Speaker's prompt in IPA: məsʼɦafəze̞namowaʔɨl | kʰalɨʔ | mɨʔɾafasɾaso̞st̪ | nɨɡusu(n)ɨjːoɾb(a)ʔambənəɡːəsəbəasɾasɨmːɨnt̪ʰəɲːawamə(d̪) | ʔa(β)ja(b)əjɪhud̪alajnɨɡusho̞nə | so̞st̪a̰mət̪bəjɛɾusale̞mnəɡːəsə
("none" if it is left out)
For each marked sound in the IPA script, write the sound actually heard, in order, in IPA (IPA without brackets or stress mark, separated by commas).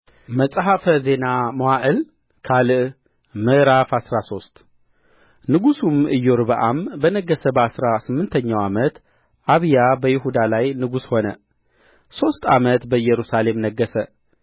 m, ə, t̪, β, b